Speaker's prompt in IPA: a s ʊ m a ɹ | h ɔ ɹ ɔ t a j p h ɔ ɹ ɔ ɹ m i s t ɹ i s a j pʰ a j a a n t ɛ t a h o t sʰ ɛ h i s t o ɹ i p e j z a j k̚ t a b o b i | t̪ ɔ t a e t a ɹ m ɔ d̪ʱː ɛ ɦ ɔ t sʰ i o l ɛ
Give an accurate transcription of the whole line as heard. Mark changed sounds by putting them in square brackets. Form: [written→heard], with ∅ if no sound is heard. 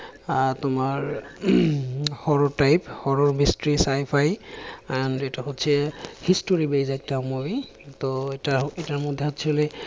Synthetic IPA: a [s→t] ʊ m a ɹ | h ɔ ɹ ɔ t a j p h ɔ ɹ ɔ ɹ m i s t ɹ i s a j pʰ a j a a n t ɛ t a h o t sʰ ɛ h i s t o ɹ i [p→b] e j z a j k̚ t a [b→m] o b i | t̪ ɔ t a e t a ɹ m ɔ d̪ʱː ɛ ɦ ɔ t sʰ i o l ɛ

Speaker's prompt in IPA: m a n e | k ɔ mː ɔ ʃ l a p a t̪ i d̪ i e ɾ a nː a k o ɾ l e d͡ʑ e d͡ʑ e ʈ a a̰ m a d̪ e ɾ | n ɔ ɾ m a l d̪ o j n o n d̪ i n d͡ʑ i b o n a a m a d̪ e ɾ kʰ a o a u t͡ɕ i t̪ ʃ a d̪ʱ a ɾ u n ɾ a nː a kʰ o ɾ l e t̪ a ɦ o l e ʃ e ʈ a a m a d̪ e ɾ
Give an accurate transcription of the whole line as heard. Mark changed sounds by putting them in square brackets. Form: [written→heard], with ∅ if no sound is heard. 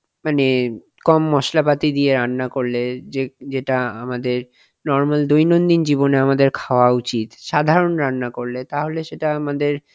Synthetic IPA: m a n e | k ɔ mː ɔ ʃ l a p a t̪ i d̪ i e ɾ a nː a k o ɾ l e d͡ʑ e d͡ʑ e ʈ a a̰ m a d̪ e ɾ | n ɔ ɾ m a l d̪ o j n o n d̪ i n d͡ʑ i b o n [a→e] a m a d̪ e ɾ kʰ a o a u t͡ɕ i t̪ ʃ a d̪ʱ a ɾ [u→o] n ɾ a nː a [kʰ→k] o ɾ l e t̪ a ɦ o l e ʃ e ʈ a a m a d̪ e ɾ

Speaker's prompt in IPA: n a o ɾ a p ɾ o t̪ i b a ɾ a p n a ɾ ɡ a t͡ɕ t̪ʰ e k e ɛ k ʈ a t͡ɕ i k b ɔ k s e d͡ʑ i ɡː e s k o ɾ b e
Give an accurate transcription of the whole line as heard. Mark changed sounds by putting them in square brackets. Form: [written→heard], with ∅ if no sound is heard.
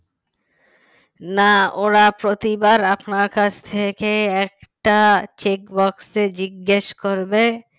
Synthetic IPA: n a o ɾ a p ɾ o t̪ i b a ɾ a p n a ɾ [ɡ→k] a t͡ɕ t̪ʰ e k e ɛ k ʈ a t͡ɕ [i→e] k b ɔ k s e d͡ʑ i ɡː e [s→ʃ] k o ɾ b e

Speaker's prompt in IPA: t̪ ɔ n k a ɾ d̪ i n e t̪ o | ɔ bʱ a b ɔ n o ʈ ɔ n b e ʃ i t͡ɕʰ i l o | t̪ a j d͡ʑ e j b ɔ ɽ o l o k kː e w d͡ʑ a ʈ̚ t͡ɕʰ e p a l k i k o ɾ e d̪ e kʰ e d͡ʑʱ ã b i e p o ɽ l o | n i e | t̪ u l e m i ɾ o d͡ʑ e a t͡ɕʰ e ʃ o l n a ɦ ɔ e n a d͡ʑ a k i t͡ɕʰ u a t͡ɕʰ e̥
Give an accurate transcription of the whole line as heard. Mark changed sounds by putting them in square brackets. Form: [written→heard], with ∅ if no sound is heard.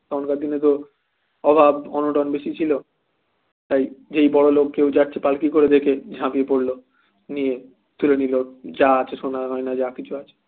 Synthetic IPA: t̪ ɔ n k a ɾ d̪ i n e t̪ o | ɔ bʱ a b ɔ n o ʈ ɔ n b e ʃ i t͡ɕʰ i l o | t̪ a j d͡ʑ e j b ɔ ɽ o l o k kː e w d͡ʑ a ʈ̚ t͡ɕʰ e p a l k i k o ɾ e d̪ e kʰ e d͡ʑʱ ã [b→p] i e p o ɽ l o | n i e | t̪ u l e [m→n] i [ɾ→l] o d͡ʑ [e→a] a t͡ɕʰ e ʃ o [l→∅] n a ɦ ɔ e n a d͡ʑ a k i t͡ɕʰ u a t͡ɕʰ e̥

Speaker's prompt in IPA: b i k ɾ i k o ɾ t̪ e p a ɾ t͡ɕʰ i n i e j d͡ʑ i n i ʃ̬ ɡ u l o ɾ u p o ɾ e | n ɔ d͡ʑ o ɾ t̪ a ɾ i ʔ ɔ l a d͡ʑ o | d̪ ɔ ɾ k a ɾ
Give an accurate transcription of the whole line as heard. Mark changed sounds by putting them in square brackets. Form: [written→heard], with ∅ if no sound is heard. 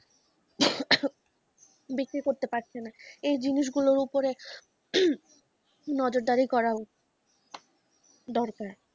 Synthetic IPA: b i k ɾ i k o ɾ t̪ e p a ɾ t͡ɕʰ [i→e] n [i→a] e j d͡ʑ i n i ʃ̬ ɡ u l o ɾ u p o ɾ e | n ɔ d͡ʑ o ɾ [t̪→d̪] a ɾ i [ʔ→k] ɔ [l→ɾ] a [d͡ʑ→∅] o | d̪ ɔ ɾ k a ɾ

